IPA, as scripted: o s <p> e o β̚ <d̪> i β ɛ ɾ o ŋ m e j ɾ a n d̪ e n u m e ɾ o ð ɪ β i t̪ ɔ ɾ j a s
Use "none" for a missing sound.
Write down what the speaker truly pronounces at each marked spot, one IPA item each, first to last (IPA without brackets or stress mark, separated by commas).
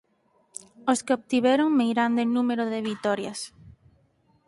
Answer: k, t̪